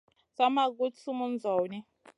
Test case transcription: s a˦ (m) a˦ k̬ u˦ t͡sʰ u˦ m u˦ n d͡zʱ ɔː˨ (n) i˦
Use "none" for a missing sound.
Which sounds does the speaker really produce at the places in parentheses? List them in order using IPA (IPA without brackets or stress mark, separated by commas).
m, n